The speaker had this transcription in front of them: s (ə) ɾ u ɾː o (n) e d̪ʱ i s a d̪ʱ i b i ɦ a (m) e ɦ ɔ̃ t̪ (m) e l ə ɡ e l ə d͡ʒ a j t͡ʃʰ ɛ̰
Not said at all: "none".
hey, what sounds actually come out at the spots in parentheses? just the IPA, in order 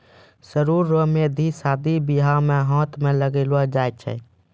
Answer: ə, m, m, m

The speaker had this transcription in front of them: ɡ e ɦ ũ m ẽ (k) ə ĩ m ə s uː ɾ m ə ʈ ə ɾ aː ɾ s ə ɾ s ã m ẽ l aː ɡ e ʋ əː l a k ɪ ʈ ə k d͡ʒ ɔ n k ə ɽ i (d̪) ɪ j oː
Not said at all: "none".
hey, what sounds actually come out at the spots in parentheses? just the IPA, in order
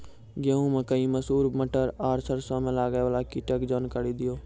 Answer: k, d̪

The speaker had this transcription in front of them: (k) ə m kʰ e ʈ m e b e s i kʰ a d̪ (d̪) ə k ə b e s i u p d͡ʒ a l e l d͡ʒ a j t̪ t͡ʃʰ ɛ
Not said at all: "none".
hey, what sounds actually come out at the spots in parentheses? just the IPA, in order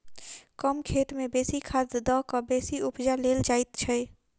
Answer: k, d̪

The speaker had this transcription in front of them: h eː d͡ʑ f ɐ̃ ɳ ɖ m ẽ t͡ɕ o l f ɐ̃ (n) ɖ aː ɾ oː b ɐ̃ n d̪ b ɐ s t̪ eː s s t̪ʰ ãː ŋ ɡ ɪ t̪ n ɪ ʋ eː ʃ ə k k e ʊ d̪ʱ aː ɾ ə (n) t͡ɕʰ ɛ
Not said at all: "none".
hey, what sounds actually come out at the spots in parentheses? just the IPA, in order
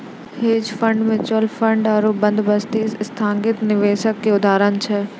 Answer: ɳ, n

